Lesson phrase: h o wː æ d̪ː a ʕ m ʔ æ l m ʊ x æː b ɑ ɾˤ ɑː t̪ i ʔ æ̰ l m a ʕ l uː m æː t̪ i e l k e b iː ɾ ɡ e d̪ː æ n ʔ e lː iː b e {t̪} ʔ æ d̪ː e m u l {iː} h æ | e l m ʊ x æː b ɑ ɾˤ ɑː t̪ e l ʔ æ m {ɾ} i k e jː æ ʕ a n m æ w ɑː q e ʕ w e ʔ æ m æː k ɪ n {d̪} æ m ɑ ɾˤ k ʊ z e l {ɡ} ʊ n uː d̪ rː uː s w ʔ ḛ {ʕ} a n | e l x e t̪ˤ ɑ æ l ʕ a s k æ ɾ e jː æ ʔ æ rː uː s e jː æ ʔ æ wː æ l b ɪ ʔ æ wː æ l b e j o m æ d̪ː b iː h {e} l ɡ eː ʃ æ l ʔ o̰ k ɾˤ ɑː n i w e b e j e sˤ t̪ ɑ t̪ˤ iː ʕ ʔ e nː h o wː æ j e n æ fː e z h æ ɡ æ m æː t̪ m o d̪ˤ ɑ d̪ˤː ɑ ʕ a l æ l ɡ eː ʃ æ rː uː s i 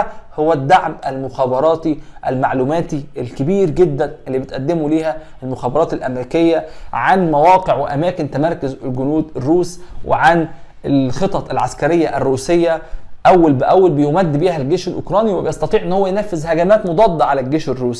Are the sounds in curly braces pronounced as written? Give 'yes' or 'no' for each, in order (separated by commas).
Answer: yes, yes, yes, no, yes, yes, no